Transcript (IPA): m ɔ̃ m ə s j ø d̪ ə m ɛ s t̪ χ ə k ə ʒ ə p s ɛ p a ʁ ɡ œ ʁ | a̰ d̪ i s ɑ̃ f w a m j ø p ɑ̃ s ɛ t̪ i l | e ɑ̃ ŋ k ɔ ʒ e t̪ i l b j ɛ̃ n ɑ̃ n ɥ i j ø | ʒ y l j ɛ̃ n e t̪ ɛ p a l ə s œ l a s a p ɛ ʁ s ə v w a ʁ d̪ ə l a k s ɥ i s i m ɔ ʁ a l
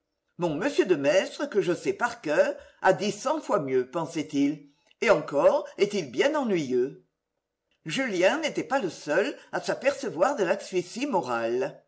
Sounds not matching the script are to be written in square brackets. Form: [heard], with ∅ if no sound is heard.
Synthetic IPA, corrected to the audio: m ɔ̃ m ə s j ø d̪ ə m ɛ s t̪ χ ə k ə ʒ ə [∅] s ɛ p a ʁ [k] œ ʁ | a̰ d̪ i s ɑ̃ f w a m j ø p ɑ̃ s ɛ t̪ i l | e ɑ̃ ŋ k ɔ [ʁ] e t̪ i l b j ɛ̃ n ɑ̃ n ɥ i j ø | ʒ y l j ɛ̃ n e t̪ ɛ p a l ə s œ l a s a p ɛ ʁ s ə v w a ʁ d̪ ə l a k s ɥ i s i m ɔ ʁ a l